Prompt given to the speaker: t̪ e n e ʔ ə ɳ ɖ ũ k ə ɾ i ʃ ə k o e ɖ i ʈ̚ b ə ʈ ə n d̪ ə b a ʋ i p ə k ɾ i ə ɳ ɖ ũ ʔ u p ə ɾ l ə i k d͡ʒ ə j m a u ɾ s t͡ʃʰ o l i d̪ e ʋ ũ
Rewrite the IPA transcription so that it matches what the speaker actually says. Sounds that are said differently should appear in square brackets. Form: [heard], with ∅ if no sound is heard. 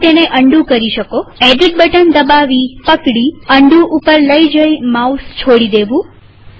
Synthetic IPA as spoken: t̪ e n e ʔ ə ɳ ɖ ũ k ə ɾ i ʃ ə k o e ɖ i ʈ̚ b ə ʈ ə n d̪ ə b a ʋ i p ə k [ɽ] i ə ɳ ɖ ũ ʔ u p ə ɾ l ə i [∅] d͡ʒ ə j m a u [∅] s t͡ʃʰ o [ɽ] i d̪ e ʋ ũ